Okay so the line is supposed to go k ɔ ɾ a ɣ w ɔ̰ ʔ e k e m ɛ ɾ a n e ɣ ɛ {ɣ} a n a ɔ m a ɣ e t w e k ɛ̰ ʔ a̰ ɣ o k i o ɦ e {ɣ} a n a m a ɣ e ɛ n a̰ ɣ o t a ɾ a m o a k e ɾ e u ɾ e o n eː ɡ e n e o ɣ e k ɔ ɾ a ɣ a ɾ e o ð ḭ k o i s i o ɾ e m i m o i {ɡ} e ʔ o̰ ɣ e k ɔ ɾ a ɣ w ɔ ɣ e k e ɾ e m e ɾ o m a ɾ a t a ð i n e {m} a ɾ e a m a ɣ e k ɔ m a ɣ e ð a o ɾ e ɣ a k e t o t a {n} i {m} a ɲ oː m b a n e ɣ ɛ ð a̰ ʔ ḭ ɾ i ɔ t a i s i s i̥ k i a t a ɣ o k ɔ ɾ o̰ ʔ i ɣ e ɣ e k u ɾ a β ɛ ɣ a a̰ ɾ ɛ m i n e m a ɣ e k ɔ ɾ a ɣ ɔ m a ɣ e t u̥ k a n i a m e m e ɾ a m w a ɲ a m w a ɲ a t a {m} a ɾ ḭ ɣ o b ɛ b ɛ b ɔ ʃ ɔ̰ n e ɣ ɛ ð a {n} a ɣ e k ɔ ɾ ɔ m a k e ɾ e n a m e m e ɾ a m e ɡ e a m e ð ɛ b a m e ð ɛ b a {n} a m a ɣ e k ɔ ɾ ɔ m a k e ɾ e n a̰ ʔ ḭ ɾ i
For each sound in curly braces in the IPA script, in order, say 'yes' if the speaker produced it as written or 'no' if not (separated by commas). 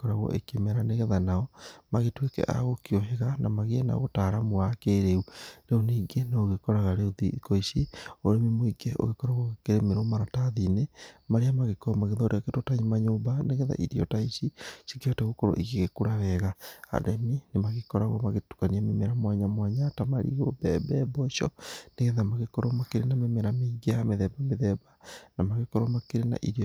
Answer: no, yes, yes, yes, no, yes, yes, no, yes